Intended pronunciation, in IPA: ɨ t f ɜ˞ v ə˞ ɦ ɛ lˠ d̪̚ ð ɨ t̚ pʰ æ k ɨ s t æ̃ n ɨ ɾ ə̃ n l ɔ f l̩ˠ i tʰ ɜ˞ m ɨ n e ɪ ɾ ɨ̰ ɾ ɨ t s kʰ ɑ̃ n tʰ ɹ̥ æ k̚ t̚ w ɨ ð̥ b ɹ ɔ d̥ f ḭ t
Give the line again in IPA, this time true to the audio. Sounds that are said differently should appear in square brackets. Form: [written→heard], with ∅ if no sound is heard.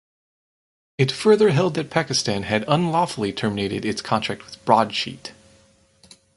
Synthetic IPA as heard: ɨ t f ɜ˞ [v→ð] ə˞ ɦ ɛ lˠ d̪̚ ð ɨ t̚ pʰ æ k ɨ s t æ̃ n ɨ ɾ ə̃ n l ɔ f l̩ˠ i tʰ ɜ˞ m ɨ n e ɪ ɾ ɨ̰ ɾ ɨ t s kʰ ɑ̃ n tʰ ɹ̥ æ k̚ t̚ w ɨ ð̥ b ɹ ɔ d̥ [f→ʃ] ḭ t

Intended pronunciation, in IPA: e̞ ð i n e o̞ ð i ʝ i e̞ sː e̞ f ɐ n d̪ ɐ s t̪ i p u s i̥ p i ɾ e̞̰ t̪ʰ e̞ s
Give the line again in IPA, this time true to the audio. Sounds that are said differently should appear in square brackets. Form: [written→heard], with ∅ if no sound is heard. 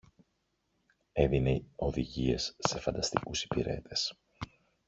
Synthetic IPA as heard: e̞ ð i n e o̞ ð i ʝ i e̞ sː e̞ f ɐ n d̪ ɐ s t̪ i [p→k] u s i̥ p i ɾ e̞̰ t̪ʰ e̞ s

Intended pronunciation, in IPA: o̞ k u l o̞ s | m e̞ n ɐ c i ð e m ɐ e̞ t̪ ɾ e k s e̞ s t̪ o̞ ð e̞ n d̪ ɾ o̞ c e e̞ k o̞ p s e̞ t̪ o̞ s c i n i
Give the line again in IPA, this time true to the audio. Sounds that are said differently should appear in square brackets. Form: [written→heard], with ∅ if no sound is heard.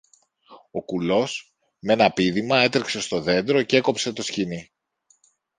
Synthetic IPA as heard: o̞ k u l o̞ s | m e̞ n ɐ [c→p] i ð [e→i] m ɐ e̞ t̪ ɾ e k s e̞ s t̪ o̞ ð e̞ n d̪ ɾ o̞ c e e̞ k o̞ p s e̞ t̪ o̞ s c i n i

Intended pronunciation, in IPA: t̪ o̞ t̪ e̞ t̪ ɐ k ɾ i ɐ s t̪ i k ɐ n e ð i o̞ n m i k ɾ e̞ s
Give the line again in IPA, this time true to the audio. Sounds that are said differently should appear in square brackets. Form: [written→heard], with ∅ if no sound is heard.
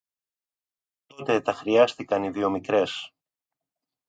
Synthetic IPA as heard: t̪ o̞ t̪ e̞ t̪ ɐ [k→x] ɾ i ɐ s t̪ i k ɐ n [e→i] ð i o̞ [n→∅] m i k ɾ e̞ s

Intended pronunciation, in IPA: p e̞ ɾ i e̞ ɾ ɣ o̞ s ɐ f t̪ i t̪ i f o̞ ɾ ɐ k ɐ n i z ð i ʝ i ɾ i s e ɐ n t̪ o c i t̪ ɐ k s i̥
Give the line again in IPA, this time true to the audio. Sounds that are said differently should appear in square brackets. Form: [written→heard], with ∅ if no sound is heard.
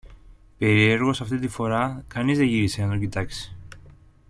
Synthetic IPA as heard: p e̞ ɾ i e̞ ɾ ɣ o̞ s ɐ f t̪ i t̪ i f o̞ ɾ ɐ k ɐ n i z ð [i→e] ʝ i ɾ i s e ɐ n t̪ o c i t̪ ɐ k s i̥

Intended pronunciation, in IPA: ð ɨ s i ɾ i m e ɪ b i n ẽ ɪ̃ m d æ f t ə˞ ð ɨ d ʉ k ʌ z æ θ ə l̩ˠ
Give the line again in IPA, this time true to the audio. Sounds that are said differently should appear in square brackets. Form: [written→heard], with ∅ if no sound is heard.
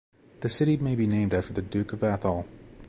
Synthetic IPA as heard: ð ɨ s [i→ɪ] ɾ i m e ɪ b i n ẽ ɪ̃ m d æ f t ə˞ ð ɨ d ʉ k ʌ [z→v] æ θ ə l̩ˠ

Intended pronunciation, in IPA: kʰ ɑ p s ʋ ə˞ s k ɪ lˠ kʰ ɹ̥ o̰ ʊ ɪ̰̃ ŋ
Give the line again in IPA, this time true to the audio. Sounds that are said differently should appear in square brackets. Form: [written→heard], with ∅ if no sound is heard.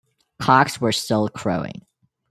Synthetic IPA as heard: kʰ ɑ [p→k] s [ʋ→w] ə˞ s [k→t] ɪ lˠ kʰ ɹ̥ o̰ ʊ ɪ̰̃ ŋ

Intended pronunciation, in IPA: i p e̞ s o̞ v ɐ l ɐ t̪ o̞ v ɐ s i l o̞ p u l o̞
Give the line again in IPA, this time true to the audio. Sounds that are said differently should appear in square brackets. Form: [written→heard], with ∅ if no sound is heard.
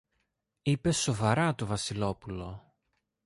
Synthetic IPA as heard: i p e̞ s o̞ v ɐ [l→ɾ] ɐ t̪ o̞ v ɐ s i l o̞ p u l o̞

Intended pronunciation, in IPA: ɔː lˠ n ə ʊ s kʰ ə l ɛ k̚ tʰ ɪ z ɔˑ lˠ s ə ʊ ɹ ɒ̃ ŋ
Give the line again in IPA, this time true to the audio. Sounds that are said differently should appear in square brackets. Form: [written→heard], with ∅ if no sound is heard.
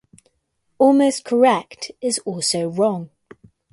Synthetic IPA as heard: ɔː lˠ [n→m] ə ʊ s kʰ ə [l→ɹ] ɛ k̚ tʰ ɪ z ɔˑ lˠ s ə ʊ ɹ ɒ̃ ŋ

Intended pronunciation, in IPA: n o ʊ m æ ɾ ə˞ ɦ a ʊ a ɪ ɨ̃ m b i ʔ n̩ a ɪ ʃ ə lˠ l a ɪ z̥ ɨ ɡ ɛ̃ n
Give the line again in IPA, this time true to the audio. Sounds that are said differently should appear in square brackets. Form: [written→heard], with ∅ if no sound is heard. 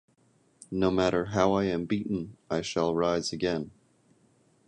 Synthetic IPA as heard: n o ʊ m æ ɾ ə˞ ɦ a ʊ a ɪ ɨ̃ m b i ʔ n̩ a ɪ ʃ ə lˠ [l→ɹ] a ɪ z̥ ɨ ɡ ɛ̃ n

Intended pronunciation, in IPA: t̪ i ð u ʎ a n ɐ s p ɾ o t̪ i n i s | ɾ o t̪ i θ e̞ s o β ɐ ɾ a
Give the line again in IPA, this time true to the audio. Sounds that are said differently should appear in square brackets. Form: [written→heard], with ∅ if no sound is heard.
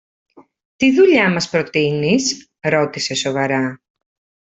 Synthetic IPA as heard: t̪ i ð u ʎ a [n→m] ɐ s p ɾ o t̪ i n i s | ɾ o t̪ i [θ→s] e̞ s o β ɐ ɾ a

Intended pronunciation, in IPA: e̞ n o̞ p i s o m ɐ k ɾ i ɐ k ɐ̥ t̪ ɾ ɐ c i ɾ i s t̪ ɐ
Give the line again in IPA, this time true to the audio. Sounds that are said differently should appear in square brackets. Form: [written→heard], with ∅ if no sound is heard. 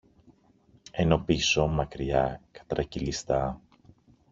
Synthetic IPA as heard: e̞ n o̞ p i s o m ɐ k ɾ i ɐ k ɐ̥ t̪ ɾ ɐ c i [ɾ→l] i s t̪ ɐ

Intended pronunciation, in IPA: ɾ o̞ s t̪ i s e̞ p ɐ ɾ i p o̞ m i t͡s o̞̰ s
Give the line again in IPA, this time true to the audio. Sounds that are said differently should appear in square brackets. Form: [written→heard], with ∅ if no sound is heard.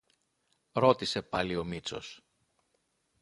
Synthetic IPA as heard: ɾ o̞ [s→∅] t̪ i s e̞ p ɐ [ɾ→l] i [p→∅] o̞ m i t͡s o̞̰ s

